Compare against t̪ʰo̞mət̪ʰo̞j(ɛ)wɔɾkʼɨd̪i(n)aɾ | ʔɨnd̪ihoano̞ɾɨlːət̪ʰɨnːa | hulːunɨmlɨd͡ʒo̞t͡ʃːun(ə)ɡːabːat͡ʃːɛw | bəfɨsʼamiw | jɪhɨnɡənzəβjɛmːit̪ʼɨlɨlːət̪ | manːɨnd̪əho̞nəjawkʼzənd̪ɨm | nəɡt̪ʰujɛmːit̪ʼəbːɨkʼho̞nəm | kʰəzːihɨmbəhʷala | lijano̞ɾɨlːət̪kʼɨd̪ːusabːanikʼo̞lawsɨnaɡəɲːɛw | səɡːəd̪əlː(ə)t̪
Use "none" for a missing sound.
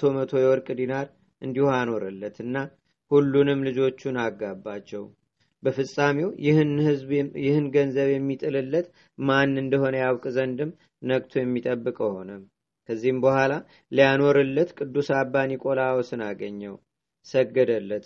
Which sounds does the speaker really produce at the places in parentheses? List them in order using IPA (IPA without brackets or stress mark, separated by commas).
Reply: ɛ, n, a, ə